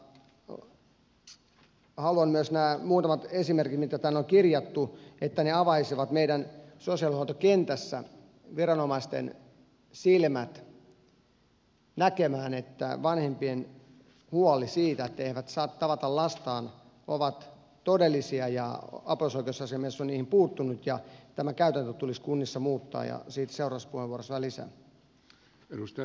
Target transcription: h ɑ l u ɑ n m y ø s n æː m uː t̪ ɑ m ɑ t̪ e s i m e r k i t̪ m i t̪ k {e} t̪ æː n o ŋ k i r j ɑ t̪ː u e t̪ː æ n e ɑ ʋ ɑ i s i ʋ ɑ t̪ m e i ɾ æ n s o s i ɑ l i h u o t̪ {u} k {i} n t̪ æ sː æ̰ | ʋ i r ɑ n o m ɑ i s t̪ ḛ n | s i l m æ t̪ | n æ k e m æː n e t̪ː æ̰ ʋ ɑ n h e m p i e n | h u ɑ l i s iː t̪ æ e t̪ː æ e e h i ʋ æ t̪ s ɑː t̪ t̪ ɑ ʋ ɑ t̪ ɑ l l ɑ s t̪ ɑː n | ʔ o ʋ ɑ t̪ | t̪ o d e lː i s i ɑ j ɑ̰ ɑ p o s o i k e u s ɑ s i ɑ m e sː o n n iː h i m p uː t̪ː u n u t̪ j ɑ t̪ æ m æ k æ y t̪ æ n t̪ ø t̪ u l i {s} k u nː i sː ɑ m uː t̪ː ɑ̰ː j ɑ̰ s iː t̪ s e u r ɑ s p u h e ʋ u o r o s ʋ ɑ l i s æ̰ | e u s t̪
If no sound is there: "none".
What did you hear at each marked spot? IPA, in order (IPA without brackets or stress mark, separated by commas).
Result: æ, o, e, s